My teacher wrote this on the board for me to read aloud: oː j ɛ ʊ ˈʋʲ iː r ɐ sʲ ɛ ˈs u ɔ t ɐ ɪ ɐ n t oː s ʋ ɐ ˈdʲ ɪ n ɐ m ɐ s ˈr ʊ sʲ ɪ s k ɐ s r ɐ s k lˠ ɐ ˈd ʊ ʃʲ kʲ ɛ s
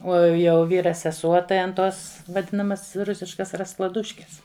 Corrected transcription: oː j ɛ ʊ ˈʋʲ iː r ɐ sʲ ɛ ˈs u ɔ t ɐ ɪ ɐ n t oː s ʋ ɐ ˈdʲ ɪ n ɐ m ɐ s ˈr ʊ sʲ ɪ ʃ k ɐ s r ɐ s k lˠ ɐ ˈd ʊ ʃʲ kʲ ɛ s